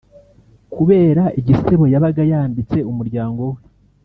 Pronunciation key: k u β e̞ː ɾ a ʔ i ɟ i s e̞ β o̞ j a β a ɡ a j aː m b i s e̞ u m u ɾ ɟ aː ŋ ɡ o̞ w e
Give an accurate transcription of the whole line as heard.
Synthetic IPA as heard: k u β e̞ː ɾ a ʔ i ɟ i s e̞ β o̞ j a β a ɡ a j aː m b i t͡s e̞ u m u ɾ ɟ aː ŋ ɡ o̞ w e